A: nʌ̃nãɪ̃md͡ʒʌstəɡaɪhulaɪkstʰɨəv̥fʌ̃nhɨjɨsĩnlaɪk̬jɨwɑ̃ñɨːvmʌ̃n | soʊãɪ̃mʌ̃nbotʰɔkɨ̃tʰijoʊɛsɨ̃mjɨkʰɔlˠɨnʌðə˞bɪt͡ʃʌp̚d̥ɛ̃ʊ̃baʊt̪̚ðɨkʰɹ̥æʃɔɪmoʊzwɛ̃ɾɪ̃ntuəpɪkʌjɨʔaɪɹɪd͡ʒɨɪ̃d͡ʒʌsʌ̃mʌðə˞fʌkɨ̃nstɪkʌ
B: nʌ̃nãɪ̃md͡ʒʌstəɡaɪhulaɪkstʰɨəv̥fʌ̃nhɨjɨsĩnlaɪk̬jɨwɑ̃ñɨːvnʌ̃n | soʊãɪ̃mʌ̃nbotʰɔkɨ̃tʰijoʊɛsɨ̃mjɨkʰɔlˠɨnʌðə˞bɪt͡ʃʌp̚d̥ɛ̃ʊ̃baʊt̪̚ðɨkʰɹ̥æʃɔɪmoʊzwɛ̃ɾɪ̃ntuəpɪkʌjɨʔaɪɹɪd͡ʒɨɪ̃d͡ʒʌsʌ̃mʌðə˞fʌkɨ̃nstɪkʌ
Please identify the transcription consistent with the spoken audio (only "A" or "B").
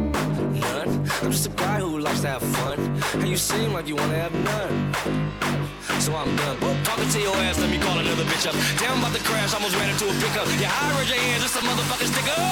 B